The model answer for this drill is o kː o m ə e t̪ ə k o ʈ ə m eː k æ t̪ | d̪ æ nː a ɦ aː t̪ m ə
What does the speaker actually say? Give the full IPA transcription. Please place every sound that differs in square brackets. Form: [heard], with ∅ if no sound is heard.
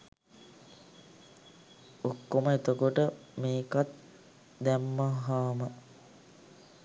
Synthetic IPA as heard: o kː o m ə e t̪ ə k o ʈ ə m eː k [a] t̪ | d̪ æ [mː] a ɦ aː [∅] m ə